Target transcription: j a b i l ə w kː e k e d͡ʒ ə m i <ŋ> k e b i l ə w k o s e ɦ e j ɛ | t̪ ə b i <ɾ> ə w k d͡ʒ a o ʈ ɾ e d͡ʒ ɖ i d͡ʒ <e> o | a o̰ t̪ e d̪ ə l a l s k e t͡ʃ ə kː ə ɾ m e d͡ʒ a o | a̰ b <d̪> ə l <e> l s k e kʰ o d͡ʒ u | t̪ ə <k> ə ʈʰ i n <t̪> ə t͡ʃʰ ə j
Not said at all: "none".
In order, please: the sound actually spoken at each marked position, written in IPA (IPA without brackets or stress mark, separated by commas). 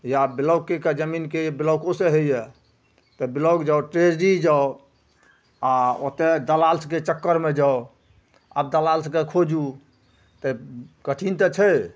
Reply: n, l, a, d̪, a, k, t̪